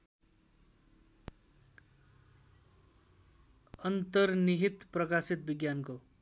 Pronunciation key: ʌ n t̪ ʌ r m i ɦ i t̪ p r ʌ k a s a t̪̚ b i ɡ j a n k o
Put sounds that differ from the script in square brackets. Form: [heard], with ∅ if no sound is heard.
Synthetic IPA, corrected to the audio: ʌ n t̪ ʌ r [n] i ɦ i t̪ p r ʌ k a s [i] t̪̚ b i ɡ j a n k o